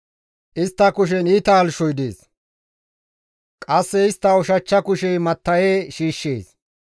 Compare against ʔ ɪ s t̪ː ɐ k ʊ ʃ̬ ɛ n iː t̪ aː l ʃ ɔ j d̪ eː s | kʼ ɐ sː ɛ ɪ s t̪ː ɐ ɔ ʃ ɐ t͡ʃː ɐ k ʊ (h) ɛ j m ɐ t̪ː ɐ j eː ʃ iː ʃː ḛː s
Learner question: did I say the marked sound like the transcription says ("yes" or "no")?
no